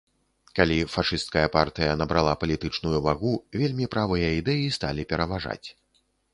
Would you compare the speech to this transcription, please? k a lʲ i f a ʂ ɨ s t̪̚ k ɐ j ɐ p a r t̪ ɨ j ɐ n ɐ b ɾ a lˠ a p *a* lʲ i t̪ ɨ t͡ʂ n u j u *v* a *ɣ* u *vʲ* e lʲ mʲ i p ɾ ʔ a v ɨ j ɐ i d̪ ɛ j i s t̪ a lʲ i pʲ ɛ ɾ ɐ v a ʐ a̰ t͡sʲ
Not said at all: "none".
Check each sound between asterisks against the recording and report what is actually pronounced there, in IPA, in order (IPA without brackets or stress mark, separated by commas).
ɐ, v, ɣ, vʲ